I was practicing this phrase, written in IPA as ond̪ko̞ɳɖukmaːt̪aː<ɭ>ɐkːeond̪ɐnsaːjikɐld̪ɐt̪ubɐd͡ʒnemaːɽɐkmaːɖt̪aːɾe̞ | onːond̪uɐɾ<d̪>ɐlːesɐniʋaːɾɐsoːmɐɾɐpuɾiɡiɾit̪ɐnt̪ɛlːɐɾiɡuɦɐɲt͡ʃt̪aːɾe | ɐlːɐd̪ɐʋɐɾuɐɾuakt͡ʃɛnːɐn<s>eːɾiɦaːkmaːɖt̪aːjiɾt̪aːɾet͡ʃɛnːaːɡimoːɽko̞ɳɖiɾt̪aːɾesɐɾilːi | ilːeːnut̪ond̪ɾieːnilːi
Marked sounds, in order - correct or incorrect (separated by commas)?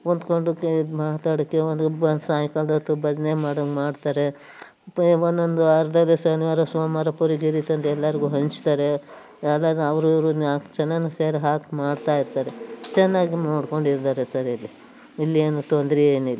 incorrect, correct, correct